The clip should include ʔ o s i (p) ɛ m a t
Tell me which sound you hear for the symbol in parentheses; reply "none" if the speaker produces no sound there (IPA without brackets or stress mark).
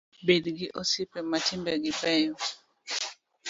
p